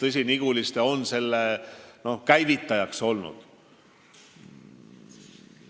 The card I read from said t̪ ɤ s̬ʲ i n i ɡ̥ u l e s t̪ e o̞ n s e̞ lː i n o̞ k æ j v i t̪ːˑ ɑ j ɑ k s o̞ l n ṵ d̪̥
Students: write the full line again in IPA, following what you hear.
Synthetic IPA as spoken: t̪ ɤ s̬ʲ i n i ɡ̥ u l i s t̪ e o̞ n s e̞ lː e n o̞ k æ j v i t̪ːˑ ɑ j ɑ k s o̞ l n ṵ d̪̥